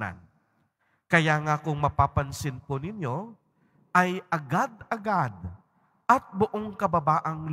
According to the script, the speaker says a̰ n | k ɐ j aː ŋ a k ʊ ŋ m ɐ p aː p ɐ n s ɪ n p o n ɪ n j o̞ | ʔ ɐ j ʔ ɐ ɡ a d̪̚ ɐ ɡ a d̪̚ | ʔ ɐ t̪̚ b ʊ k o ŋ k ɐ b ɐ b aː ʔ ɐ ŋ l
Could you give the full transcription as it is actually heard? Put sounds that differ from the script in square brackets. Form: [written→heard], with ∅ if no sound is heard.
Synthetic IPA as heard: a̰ n | k ɐ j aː ŋ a k ʊ ŋ m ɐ p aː p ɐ n s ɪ n p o n ɪ n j o̞ | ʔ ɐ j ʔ ɐ ɡ a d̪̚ ɐ ɡ a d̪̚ | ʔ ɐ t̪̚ b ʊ [k→ʔ] o ŋ k ɐ b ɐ b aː ʔ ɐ ŋ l